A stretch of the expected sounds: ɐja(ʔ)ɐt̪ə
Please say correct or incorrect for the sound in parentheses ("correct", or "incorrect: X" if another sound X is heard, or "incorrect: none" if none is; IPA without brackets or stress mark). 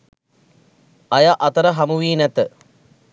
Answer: correct